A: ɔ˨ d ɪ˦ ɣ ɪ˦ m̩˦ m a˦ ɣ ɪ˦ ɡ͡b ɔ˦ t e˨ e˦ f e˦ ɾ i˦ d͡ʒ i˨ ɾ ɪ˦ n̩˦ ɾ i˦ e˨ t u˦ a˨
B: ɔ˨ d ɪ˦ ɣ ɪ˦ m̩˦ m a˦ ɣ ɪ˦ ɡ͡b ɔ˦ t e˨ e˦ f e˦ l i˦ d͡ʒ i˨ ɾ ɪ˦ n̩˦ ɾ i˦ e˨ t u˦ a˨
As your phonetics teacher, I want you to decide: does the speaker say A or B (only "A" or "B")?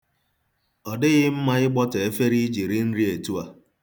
A